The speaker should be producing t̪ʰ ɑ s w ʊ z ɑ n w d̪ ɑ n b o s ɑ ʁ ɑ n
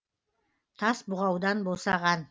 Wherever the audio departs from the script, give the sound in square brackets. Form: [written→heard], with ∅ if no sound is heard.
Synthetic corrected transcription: t̪ʰ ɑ s [w→b] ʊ [z→ʁ] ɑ [n→∅] w d̪ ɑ n b o s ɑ ʁ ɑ n